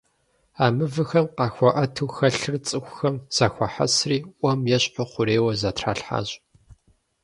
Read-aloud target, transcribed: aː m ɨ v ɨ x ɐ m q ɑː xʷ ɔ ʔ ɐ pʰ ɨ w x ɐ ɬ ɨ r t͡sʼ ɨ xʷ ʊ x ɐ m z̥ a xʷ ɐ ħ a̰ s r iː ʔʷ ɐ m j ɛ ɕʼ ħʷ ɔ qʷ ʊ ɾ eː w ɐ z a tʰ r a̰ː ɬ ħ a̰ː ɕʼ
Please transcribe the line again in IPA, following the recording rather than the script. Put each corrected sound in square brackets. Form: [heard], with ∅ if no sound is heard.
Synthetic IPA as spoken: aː m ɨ v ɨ x ɐ m q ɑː xʷ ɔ ʔ ɐ [tʰ] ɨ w x ɐ ɬ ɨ r t͡sʼ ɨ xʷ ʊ x ɐ m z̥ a xʷ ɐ ħ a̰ s r iː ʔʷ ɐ m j ɛ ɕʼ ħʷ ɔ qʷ ʊ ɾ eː w ɐ z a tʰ r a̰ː ɬ ħ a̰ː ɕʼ